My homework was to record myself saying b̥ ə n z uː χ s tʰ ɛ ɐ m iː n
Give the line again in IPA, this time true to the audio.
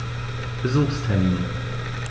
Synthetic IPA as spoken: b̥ ə z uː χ s tʰ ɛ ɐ m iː n

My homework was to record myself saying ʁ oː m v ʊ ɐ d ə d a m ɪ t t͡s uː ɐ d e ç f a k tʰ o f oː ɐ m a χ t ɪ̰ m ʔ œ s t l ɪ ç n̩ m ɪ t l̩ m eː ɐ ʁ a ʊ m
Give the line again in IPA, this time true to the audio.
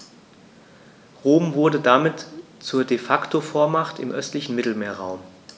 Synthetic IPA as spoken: ʁ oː m v ʊ ɐ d ə d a m ɪ t t͡s uː ɐ d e f a k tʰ o f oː ɐ m a χ t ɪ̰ m ʔ œ s t l ɪ ç n̩ m ɪ t l̩ m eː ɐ ʁ a ʊ m

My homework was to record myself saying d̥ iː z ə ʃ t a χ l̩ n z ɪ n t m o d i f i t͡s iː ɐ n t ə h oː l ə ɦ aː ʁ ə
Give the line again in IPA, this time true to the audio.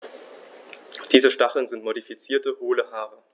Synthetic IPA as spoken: d̥ iː z ə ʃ t a χ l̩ n z ɪ n t m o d i f i t͡s iː ɐ t ə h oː l ə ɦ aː ʁ ə

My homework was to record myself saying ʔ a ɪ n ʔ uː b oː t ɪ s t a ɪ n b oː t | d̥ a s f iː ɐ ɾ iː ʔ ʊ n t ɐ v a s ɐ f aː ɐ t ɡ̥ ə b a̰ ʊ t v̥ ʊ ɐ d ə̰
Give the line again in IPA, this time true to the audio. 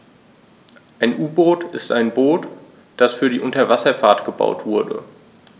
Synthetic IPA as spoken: ʔ a ɪ n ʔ uː b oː t ɪ s t a ɪ n b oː t | d̥ a s f yː ɐ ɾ iː ʔ ʊ n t ɐ v a s ɐ f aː ɐ t ɡ̥ ə b a̰ ʊ t v̥ ʊ ɐ d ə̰

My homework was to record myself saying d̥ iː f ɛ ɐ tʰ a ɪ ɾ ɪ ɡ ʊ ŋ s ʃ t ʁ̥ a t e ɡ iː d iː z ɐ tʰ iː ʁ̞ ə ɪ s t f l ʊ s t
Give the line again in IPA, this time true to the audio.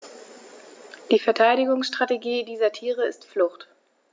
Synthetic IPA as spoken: d̥ iː f ɛ ɐ tʰ a ɪ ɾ ɪ ɡ ʊ ŋ s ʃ t ʁ̥ a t e ɡ iː d iː z ɐ tʰ iː ʁ̞ ə ɪ s t f l ʊ χ t

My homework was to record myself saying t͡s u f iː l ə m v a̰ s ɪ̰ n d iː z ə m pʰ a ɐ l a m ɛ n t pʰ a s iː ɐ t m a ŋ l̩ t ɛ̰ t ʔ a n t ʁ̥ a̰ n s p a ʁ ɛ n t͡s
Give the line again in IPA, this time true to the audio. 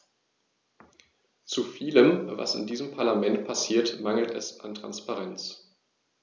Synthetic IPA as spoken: t͡s u f iː l ə m v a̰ s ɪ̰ n d iː z ə m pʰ a ɐ l a m ɛ n t pʰ a s iː ɐ t m a ŋ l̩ t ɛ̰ s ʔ a n t ʁ̥ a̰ n s p a ʁ ɛ n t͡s

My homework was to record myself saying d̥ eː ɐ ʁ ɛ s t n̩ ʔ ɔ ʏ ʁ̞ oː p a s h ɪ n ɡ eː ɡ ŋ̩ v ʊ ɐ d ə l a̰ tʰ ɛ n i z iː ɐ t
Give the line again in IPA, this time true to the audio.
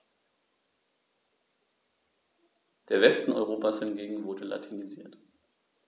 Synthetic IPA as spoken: d̥ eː ɐ v ɛ s t n̩ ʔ ɔ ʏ ʁ̞ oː p a s h ɪ n ɡ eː ɡ ŋ̩ v ʊ ɐ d ə l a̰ tʰ i n i z iː ɐ t

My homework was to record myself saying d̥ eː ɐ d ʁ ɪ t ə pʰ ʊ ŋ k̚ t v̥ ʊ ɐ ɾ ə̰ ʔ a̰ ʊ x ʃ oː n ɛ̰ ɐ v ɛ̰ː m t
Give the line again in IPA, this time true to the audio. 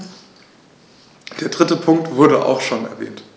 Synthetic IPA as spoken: d̥ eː ɐ d ʁ ɪ t ə pʰ ʊ ŋ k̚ t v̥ ʊ ɐ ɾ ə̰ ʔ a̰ ʊ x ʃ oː n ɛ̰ ɐ v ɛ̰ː n t

